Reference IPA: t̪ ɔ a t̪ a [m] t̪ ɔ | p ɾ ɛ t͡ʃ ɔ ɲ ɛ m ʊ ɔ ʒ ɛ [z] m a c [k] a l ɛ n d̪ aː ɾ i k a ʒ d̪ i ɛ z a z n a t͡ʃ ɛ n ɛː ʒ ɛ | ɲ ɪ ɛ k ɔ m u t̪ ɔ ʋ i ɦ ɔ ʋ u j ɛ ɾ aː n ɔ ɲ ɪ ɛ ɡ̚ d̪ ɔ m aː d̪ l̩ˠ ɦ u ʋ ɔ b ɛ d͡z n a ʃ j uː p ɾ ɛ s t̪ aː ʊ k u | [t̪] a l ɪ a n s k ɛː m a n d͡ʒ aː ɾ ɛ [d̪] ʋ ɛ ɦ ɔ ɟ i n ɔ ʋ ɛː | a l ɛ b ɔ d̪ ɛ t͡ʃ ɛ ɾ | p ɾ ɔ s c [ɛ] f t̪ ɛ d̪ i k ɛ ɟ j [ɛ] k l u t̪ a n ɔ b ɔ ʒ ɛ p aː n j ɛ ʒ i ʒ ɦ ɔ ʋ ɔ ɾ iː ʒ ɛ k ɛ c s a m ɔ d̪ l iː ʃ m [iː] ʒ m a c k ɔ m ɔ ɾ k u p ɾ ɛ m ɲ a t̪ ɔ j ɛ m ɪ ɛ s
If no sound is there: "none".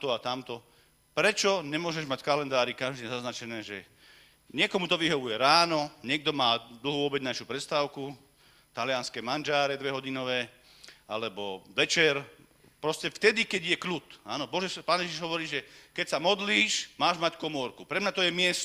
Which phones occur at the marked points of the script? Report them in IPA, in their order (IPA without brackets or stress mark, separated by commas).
m, ʒ, k, t̪, d̪, ɛ, ɛ, aː